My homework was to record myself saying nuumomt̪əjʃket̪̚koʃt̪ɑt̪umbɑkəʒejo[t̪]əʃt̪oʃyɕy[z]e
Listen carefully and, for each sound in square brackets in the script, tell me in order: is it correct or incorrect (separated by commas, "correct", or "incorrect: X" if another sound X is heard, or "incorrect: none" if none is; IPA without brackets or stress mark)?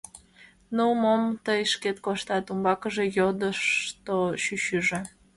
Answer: incorrect: d̪, incorrect: ʒ